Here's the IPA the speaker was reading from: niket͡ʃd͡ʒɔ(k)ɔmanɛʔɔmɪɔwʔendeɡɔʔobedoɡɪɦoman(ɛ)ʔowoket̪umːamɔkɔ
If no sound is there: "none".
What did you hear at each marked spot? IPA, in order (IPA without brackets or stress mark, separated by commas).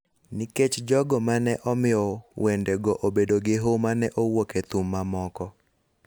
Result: ɡ, ɛ